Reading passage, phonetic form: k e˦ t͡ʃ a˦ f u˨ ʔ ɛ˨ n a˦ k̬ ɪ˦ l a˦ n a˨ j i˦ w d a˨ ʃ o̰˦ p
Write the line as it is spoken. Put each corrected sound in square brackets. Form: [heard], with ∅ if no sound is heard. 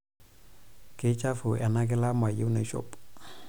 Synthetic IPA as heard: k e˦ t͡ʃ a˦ f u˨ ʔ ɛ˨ n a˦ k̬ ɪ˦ l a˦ [m] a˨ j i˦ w [n] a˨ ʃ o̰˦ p